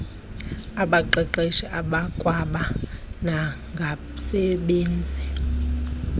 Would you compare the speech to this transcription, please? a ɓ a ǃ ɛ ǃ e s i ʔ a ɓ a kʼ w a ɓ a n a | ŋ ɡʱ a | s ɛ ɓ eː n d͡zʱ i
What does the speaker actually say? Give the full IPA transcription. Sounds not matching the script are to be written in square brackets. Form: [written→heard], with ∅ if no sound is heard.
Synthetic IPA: a ɓ a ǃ ɛ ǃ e [s→ʃ] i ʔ a ɓ a kʼ w a ɓ a n a | ŋ ɡʱ a | s ɛ ɓ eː n d͡zʱ i